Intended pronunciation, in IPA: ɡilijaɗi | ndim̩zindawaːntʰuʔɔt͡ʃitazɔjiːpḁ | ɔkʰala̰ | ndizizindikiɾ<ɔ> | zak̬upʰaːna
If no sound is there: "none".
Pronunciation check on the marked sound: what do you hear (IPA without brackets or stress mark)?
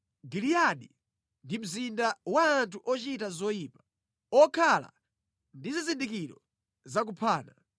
ɔ